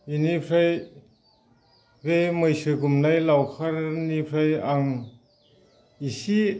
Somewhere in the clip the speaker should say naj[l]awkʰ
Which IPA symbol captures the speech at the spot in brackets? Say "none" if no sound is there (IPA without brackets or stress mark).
l